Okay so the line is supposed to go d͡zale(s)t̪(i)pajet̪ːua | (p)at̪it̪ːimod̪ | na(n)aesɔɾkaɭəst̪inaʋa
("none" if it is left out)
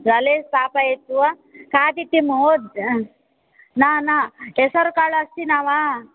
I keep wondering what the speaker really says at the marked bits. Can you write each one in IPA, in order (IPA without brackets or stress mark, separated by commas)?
s, a, k, n